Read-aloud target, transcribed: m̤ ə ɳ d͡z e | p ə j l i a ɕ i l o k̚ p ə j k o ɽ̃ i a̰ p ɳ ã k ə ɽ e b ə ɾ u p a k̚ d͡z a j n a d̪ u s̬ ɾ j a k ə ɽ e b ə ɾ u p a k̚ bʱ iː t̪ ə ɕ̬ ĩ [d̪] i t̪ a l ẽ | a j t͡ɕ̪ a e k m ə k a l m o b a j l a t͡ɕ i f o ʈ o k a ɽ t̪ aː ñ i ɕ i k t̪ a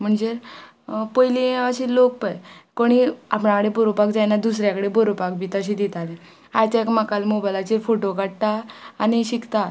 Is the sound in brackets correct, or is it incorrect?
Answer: correct